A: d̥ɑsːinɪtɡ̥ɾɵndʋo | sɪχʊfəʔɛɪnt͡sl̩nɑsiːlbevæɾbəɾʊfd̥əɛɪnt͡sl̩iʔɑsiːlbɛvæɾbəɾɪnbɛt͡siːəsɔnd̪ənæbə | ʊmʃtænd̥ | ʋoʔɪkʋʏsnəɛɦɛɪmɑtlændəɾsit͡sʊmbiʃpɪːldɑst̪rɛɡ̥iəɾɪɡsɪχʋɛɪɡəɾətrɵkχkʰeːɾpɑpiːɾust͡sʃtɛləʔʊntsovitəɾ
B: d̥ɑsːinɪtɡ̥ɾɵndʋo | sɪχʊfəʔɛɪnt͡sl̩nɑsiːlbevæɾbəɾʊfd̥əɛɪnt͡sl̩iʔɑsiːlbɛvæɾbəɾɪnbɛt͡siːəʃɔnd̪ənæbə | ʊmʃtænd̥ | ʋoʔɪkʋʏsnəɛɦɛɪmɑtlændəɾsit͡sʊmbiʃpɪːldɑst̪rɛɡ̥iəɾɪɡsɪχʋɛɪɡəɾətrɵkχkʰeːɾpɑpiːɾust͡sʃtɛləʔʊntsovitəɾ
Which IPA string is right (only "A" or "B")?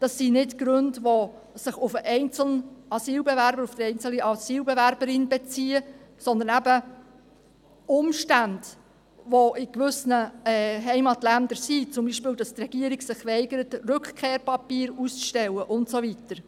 A